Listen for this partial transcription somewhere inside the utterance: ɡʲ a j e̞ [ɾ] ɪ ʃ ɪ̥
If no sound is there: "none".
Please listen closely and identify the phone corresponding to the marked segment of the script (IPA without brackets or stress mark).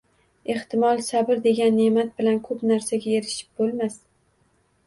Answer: ɾ